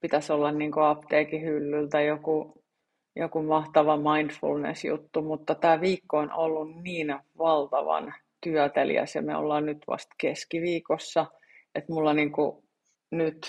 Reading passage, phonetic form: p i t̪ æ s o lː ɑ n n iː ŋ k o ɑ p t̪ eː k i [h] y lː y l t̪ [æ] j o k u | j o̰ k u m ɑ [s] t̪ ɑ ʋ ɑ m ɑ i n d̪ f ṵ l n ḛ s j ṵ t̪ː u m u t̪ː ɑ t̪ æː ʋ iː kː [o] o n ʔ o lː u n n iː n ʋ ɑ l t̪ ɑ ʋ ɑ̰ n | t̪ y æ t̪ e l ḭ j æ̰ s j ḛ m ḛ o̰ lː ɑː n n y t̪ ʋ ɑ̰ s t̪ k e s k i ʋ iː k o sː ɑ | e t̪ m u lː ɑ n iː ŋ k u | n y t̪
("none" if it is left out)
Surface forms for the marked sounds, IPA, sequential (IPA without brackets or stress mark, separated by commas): h, æ, h, o